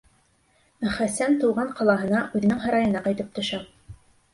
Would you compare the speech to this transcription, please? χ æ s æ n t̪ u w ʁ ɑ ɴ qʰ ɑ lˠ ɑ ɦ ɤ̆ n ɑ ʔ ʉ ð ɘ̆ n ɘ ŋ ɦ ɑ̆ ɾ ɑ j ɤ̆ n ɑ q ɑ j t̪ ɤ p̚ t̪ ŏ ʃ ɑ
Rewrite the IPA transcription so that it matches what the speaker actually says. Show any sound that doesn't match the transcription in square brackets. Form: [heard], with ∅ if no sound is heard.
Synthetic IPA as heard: χ æ s æ n t̪ u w ʁ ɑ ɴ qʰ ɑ lˠ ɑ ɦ ɤ̆ n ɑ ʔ ʉ ð ɘ̆ n ɘ ŋ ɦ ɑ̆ ɾ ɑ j ɤ̆ n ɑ q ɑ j t̪ ɤ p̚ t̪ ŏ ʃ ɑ

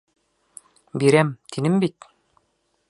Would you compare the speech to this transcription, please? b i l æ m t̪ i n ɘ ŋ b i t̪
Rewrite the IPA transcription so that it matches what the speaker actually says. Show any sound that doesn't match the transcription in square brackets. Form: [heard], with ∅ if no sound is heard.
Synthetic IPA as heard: b i [ɾ] æ m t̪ i n ɘ [m] b i t̪

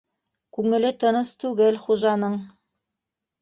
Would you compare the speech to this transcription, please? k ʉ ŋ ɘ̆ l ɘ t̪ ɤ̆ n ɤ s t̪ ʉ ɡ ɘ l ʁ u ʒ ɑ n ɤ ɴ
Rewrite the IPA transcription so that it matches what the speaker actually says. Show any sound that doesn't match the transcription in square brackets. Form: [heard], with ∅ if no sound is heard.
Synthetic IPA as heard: k ʉ ŋ ɘ̆ l ɘ t̪ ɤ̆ n ɤ s t̪ ʉ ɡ ɘ l [χ] u ʒ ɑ n ɤ ɴ

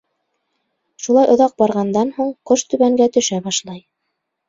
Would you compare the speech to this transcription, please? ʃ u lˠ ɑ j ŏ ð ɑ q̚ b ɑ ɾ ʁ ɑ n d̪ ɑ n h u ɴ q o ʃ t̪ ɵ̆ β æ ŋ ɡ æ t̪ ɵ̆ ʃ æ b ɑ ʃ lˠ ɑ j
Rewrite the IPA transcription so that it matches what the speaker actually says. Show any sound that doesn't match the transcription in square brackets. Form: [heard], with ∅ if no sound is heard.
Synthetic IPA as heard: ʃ u lˠ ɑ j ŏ ð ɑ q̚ b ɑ ɾ ʁ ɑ n d̪ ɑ n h u ɴ q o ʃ t̪ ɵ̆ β æ ŋ ɡ æ t̪ ɵ̆ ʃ æ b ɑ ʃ lˠ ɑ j

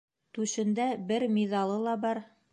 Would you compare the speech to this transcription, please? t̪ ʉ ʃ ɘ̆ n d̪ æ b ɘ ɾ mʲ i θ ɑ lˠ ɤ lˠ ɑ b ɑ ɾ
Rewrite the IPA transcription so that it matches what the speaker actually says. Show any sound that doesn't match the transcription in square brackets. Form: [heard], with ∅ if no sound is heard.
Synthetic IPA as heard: t̪ ʉ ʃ ɘ̆ n d̪ æ b ɘ ɾ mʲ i [ð] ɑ lˠ ɤ lˠ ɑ b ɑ ɾ

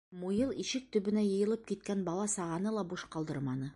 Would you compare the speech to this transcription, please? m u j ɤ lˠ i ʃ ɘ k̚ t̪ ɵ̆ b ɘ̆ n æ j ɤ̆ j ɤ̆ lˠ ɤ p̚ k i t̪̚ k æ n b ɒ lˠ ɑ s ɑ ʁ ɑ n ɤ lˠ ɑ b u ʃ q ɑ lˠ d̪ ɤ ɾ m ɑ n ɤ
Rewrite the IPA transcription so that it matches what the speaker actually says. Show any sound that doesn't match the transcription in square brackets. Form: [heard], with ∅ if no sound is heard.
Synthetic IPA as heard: m u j ɤ lˠ i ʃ ɘ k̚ t̪ ɵ̆ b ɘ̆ n æ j ɤ̆ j ɤ̆ lˠ ɤ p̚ k i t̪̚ k æ n b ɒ lˠ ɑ s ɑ ʁ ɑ n ɤ lˠ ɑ b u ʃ q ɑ lˠ d̪ ɤ ɾ m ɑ n ɤ

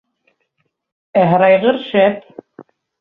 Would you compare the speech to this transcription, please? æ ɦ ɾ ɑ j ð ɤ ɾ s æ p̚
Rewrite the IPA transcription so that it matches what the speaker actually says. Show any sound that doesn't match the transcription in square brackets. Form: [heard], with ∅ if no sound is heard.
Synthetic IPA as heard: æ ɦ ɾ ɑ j [ʁ] ɤ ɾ [ʃ] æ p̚

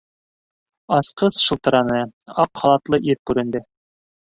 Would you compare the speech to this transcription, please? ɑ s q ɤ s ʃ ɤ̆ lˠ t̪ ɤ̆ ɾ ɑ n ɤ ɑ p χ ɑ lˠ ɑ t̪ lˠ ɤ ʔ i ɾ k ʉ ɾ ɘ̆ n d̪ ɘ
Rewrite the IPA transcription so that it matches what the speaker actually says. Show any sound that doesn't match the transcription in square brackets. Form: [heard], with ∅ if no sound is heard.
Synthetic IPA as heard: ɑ s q ɤ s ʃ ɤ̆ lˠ t̪ ɤ̆ ɾ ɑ n ɤ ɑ [q] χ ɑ lˠ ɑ t̪ lˠ ɤ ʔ i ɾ k ʉ ɾ ɘ̆ n d̪ ɘ

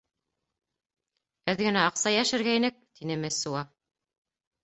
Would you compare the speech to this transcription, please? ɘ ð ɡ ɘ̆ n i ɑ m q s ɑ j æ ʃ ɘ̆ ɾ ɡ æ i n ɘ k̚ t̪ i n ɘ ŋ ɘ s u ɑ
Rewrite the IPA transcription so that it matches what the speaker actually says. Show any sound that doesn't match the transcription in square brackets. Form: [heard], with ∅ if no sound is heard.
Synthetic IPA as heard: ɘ ð ɡ ɘ̆ n [æ] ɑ [∅] q s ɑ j æ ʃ ɘ̆ ɾ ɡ æ i n ɘ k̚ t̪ i n ɘ [m] ɘ s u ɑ

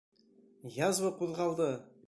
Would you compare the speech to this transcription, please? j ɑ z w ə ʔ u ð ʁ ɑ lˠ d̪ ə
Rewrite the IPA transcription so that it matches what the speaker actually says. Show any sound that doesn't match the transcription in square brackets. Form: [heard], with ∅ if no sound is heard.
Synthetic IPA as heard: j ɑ z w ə [q] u ð ʁ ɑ lˠ d̪ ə

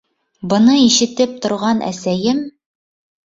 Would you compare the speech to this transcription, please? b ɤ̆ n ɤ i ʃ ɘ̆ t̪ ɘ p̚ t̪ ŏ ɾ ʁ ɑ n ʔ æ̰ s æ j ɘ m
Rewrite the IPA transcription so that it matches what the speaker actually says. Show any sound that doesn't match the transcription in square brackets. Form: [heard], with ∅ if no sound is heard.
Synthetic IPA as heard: b ɤ̆ n ɤ i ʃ ɘ̆ t̪ ɘ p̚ t̪ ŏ ɾ ʁ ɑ n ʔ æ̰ s æ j ɘ m

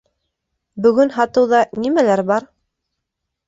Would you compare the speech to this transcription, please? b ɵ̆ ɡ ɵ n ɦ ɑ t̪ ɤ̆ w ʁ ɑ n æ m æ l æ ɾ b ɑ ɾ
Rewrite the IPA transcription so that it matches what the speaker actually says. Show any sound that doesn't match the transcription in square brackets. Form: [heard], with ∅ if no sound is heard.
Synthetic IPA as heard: b ɵ̆ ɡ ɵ n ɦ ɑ t̪ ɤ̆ w [ð] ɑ n [i] m æ l æ ɾ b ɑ ɾ

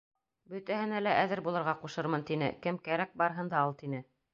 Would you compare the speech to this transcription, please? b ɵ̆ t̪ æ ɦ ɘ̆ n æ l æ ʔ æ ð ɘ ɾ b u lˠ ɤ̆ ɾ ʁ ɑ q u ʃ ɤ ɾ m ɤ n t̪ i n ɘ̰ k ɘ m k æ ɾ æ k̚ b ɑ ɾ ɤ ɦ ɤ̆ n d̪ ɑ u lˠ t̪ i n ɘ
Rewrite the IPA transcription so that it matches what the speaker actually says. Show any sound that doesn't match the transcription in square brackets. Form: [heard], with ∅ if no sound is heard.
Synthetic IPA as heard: b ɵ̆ t̪ æ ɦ ɘ̆ n æ l æ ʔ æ ð ɘ ɾ b u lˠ ɤ̆ ɾ ʁ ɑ q u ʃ ɤ ɾ m ɤ n t̪ i n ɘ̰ k ɘ m k æ ɾ æ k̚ b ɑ ɾ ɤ ɦ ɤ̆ n d̪ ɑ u lˠ t̪ i n ɘ

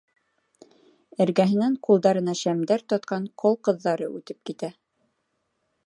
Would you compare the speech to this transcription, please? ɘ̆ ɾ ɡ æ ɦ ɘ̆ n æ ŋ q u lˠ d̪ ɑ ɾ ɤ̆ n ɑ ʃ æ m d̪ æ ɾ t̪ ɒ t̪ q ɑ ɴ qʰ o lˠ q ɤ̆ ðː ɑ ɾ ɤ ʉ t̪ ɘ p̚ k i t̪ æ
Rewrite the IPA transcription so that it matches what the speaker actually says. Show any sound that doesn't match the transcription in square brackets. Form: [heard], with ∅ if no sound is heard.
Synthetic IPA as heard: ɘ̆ ɾ ɡ æ ɦ ɘ̆ n æ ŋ q u lˠ d̪ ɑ ɾ ɤ̆ n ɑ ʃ æ m d̪ æ ɾ t̪ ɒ t̪ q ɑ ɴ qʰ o lˠ q ɤ̆ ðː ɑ ɾ ɤ ʉ t̪ ɘ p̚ k i t̪ æ

